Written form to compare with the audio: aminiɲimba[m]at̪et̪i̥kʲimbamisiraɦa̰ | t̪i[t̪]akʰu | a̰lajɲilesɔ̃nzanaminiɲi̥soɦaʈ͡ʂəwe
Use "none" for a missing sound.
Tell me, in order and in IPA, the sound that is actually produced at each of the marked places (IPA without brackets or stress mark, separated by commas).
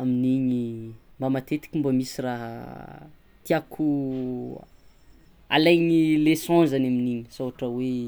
m, none